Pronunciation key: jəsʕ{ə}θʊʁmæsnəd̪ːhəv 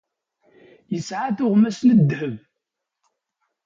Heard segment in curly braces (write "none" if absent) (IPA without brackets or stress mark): a